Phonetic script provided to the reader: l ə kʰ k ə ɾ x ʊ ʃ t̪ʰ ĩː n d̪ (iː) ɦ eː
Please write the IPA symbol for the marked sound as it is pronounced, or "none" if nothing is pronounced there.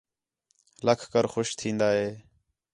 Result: aː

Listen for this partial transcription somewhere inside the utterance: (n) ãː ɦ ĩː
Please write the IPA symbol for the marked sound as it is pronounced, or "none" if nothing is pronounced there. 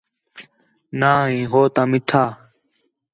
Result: n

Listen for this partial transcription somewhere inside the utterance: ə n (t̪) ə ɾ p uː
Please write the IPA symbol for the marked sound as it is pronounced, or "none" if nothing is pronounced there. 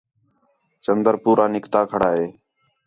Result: d̪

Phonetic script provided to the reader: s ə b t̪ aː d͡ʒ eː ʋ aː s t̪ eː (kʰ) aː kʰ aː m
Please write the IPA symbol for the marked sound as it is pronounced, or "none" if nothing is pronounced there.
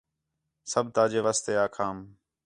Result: none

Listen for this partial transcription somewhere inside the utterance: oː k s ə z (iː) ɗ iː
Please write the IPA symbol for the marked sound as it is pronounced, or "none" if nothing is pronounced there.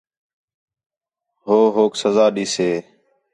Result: aː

